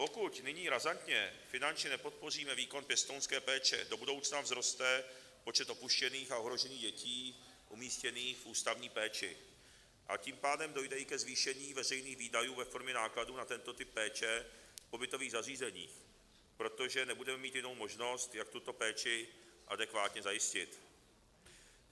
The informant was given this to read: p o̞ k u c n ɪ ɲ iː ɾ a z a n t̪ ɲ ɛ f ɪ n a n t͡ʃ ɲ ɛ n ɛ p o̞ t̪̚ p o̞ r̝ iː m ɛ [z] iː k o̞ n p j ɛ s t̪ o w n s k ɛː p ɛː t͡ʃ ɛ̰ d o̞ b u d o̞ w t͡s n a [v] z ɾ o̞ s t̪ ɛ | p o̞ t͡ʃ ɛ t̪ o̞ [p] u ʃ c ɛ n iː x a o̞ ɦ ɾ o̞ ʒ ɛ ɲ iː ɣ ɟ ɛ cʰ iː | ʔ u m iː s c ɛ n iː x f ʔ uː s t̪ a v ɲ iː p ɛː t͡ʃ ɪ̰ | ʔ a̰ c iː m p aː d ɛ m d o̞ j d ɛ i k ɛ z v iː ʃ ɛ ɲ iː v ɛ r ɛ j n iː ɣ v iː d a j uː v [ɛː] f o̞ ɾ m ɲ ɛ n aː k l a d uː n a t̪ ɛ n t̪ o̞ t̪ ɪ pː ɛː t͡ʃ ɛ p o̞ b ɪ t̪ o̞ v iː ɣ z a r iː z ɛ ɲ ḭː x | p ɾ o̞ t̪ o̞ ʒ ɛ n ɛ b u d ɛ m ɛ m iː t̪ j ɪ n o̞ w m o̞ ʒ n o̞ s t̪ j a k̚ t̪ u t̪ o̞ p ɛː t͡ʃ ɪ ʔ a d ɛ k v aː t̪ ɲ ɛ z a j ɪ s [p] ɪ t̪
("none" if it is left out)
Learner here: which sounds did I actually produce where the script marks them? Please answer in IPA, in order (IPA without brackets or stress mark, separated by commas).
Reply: v, v, p, ɛ, c